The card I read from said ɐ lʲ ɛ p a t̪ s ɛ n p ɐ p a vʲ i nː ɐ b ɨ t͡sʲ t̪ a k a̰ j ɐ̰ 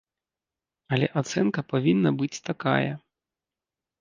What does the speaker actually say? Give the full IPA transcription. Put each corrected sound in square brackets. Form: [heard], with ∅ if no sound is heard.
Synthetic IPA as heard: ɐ lʲ ɛ [ʔ] a t̪ s ɛ n [k] ɐ p a vʲ i nː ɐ b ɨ t͡sʲ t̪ a k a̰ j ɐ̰